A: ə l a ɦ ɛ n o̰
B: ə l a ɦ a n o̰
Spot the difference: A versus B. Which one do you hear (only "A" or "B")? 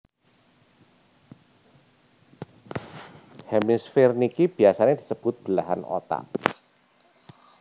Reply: B